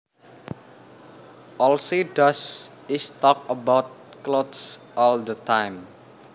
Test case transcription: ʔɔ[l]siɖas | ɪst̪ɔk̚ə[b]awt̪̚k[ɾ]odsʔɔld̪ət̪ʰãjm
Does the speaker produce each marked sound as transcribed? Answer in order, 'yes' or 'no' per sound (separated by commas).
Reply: yes, yes, no